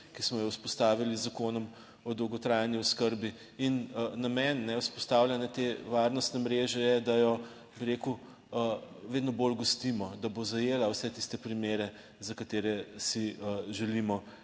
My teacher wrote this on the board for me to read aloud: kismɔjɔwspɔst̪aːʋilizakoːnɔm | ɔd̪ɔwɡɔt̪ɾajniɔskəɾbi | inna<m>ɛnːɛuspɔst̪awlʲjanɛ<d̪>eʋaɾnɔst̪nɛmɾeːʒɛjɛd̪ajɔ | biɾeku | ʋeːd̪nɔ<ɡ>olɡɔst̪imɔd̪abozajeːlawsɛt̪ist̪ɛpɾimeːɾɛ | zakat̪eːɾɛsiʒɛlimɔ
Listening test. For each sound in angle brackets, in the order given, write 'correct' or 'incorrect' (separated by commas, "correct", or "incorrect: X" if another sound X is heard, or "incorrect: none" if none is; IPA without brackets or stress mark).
correct, incorrect: t̪, incorrect: b